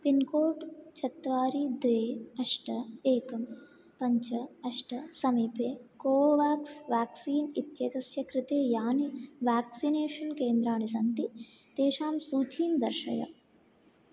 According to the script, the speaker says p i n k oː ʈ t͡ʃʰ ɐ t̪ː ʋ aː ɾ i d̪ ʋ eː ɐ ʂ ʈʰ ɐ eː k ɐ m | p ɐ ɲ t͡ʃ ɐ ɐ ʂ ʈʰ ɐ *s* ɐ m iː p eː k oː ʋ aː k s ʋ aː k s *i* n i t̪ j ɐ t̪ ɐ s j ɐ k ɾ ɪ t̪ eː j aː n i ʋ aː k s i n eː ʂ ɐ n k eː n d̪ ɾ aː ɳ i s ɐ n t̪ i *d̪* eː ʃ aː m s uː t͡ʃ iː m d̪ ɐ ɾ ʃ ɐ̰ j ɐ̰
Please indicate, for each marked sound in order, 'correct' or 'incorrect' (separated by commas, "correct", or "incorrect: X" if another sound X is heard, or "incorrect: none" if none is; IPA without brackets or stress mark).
correct, incorrect: iː, incorrect: t̪